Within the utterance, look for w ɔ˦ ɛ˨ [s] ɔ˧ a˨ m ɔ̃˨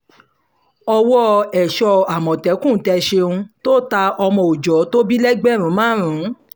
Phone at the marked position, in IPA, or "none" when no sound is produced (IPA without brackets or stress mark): ʃ